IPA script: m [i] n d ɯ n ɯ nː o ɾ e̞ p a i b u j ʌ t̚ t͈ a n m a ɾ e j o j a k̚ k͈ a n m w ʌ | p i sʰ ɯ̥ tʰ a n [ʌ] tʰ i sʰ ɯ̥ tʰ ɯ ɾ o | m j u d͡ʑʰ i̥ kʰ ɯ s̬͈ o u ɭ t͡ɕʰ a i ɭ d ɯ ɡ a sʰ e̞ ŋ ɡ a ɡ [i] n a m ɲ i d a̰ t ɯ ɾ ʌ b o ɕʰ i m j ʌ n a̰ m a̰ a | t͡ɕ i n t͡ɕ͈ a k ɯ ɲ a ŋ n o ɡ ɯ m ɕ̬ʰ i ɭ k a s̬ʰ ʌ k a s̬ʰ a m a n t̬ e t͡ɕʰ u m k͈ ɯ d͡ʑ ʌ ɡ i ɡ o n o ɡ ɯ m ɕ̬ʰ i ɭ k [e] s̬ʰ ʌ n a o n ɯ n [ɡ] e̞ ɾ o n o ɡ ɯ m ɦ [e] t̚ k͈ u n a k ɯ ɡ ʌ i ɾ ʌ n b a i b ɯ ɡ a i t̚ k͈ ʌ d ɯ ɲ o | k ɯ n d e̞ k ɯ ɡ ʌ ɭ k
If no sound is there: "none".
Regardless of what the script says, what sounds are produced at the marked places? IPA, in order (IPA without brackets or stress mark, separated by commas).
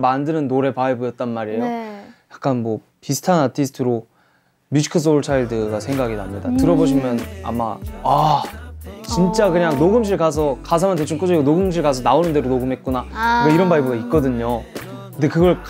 a, a, i, a, d, e